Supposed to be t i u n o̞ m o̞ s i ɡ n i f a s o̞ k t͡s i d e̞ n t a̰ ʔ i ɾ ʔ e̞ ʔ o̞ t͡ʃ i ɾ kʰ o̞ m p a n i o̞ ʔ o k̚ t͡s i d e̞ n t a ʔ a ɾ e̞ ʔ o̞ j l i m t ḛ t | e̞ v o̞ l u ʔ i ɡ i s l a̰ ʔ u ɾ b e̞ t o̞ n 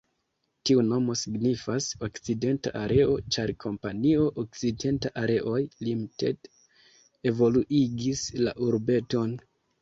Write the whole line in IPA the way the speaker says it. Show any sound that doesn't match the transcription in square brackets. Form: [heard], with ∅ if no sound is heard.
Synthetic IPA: t i u n o̞ m o̞ s i ɡ n i f a s o̞ k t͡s i d e̞ n t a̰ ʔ [a] ɾ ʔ e̞ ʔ o̞ t͡ʃ [a] ɾ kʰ o̞ m p a n i o̞ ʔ o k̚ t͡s i d e̞ n t a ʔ a ɾ e̞ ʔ o̞ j l i m t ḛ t | e̞ v o̞ l u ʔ i ɡ i s l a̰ ʔ u ɾ b e̞ t o̞ n